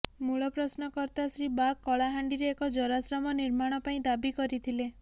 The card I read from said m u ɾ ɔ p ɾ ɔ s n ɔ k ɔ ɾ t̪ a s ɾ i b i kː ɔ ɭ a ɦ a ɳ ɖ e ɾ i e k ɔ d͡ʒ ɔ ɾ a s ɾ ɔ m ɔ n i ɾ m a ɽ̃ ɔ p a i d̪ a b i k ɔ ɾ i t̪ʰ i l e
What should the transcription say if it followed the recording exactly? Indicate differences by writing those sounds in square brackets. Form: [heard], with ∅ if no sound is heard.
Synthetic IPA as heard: m u [ɭ] ɔ p ɾ ɔ s n ɔ k ɔ ɾ t̪ a s ɾ i b [a] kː ɔ ɭ a ɦ a ɳ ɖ [i] ɾ [e] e k ɔ d͡ʒ ɔ ɾ a s ɾ ɔ m ɔ n i ɾ m a ɽ̃ ɔ p a [ĩ] d̪ a b i k ɔ ɾ i t̪ʰ i l e